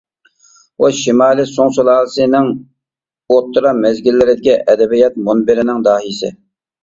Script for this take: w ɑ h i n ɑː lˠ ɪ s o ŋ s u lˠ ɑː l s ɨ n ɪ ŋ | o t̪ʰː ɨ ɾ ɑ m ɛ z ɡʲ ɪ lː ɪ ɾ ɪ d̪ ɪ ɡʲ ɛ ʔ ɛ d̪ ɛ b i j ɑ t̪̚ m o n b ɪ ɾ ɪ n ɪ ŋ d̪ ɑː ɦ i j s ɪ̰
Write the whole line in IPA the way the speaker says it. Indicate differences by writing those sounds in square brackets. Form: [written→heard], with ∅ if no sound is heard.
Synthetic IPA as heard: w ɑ [h→ʃ] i [n→m] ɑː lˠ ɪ s o ŋ s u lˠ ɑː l s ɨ n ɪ ŋ | o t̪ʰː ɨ ɾ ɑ m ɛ z ɡʲ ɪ lː ɪ ɾ ɪ d̪ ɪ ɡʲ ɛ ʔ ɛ d̪ ɛ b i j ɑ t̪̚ m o n b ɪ ɾ ɪ n ɪ ŋ d̪ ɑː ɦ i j s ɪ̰